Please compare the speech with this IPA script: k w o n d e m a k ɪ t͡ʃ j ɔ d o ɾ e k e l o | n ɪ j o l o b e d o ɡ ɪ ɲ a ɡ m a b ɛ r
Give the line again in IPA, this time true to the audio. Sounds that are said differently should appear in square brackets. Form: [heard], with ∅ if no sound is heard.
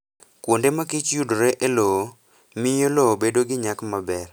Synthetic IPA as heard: k w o n d e m a k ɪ t͡ʃ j [u] d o ɾ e [ʔ] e l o | [m] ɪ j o l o b e d o ɡ ɪ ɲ a [k] m a b ɛ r